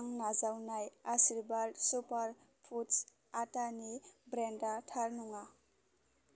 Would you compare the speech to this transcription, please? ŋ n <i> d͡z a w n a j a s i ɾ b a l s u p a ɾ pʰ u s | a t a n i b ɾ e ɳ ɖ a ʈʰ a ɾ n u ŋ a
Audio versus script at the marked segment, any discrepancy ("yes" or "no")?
yes